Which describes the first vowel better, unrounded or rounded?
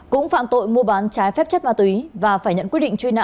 rounded